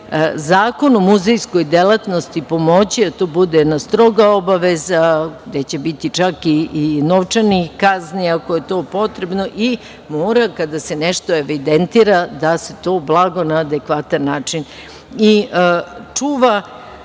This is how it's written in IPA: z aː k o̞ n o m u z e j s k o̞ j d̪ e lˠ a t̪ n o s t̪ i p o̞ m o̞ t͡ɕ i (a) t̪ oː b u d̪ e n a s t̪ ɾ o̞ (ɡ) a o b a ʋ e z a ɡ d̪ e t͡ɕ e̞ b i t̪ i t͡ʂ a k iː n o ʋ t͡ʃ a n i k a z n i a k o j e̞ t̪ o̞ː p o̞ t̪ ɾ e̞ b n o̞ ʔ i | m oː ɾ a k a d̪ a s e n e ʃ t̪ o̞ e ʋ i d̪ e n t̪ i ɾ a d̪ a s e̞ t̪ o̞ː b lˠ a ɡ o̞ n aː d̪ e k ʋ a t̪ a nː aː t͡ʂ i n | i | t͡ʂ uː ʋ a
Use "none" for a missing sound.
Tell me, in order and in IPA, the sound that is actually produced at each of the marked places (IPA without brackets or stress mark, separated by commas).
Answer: a, ɡ